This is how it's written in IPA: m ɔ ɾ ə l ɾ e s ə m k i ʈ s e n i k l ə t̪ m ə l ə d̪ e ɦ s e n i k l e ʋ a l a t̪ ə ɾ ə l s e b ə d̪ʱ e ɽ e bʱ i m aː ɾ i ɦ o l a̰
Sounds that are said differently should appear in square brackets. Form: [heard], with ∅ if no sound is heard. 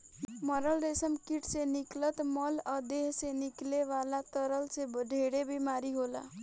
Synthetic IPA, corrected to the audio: m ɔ ɾ ə l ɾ e s ə m k i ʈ s e n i k l ə t̪ m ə l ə d̪ e ɦ s e n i k l e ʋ a l a t̪ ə ɾ ə l s e b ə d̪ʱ e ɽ e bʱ i m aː ɾ i ɦ o l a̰